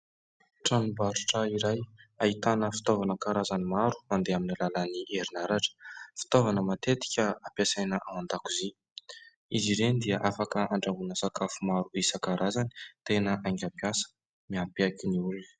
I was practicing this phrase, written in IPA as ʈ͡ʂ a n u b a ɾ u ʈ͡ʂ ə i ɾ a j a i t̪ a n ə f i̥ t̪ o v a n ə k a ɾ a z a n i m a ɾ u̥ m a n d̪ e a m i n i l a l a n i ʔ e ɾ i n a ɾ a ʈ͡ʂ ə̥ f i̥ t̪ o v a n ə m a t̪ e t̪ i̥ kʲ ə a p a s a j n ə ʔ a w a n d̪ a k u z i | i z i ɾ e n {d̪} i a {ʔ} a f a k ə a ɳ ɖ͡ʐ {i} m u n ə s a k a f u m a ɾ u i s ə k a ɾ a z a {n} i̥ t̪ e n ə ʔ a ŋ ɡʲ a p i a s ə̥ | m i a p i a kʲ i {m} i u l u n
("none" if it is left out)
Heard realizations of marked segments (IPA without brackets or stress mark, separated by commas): d̪, ʔ, a, n, n